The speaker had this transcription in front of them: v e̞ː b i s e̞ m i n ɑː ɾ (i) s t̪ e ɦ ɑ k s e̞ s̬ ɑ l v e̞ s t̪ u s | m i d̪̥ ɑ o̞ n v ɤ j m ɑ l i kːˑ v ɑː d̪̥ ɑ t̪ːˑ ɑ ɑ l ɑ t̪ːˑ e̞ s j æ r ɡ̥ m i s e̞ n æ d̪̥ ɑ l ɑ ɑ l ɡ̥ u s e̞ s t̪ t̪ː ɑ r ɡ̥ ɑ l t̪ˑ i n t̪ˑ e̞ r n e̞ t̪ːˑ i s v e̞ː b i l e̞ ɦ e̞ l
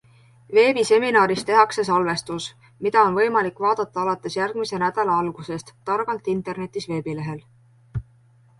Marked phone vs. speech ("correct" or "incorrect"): correct